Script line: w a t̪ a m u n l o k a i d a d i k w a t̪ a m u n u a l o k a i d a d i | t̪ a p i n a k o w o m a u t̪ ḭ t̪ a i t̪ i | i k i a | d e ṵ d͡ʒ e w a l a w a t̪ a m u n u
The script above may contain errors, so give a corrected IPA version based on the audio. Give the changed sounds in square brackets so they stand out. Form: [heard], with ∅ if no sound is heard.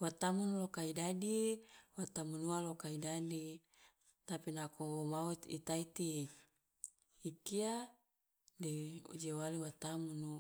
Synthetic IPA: w a t̪ a m u n l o k a i d a d i [∅] w a t̪ a m u n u a l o k a i d a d i | t̪ a p i n a k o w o m a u t̪ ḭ t̪ a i t̪ i | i k i a | d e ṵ d͡ʒ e w a l [i] w a t̪ a m u n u